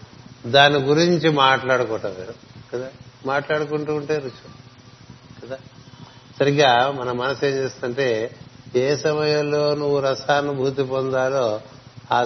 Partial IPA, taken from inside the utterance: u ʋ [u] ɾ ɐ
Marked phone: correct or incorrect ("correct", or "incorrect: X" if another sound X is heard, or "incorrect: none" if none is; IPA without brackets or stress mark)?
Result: correct